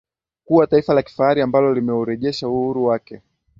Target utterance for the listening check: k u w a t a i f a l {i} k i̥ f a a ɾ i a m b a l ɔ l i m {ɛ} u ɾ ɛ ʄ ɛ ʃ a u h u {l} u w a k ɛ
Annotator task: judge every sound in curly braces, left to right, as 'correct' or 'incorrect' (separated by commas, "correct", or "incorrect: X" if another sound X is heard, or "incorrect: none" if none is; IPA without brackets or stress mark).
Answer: incorrect: a, correct, incorrect: ɾ